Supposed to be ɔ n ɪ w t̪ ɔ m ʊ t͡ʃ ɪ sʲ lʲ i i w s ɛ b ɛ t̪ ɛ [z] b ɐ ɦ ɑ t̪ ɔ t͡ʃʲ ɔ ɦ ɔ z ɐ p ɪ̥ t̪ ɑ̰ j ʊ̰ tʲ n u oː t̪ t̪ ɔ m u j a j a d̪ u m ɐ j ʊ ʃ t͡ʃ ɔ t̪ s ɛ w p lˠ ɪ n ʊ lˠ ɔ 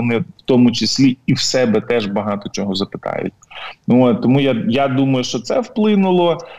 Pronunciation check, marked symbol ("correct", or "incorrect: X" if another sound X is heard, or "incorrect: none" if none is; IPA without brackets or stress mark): incorrect: ʒ